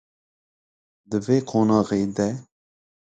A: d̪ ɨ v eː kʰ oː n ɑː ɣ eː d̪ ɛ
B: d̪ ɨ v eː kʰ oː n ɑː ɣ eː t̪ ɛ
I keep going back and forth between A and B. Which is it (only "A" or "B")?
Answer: A